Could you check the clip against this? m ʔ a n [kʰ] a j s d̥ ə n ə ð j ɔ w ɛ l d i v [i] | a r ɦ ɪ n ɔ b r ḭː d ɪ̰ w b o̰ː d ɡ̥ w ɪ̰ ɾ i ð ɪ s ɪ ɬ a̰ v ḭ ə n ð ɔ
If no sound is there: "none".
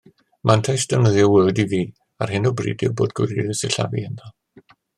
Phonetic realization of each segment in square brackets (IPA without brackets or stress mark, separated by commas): tʰ, iː